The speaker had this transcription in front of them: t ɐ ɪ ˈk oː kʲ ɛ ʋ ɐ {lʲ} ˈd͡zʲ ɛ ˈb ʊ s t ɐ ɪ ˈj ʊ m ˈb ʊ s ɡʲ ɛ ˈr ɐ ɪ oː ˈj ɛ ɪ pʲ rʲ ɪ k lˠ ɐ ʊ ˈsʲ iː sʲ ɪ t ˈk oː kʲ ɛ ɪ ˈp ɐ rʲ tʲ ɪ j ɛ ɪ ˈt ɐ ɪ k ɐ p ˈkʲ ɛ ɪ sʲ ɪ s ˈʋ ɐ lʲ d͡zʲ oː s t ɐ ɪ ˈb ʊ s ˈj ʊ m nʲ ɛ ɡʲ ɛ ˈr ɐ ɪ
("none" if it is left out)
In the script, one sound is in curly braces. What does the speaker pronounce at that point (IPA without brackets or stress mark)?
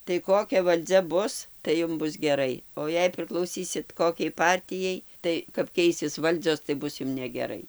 lʲ